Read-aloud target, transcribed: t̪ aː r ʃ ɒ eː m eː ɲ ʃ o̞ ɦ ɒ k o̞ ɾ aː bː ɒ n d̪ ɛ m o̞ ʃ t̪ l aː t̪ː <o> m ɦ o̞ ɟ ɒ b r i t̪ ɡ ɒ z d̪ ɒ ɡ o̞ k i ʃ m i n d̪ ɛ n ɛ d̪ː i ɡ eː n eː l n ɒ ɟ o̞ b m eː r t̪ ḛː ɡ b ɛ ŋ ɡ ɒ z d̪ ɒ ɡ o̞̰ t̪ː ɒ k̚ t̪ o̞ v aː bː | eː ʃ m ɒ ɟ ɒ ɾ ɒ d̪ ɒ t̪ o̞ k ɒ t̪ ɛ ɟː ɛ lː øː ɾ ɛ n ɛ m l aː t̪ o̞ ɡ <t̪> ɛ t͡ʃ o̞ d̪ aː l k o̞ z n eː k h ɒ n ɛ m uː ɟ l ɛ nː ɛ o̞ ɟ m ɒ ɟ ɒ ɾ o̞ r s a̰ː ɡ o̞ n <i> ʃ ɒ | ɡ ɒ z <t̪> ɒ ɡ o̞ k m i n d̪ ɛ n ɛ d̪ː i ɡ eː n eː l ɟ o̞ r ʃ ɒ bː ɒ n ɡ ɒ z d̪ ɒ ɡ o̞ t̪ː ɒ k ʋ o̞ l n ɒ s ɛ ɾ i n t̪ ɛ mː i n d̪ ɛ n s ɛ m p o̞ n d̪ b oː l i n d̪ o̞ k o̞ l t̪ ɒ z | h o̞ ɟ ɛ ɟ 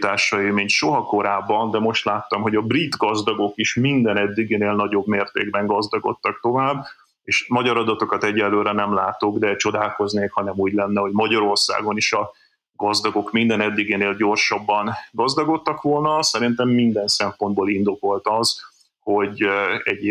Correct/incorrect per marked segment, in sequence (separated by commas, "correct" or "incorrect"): incorrect, incorrect, correct, incorrect